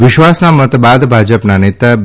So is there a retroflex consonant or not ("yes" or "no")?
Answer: no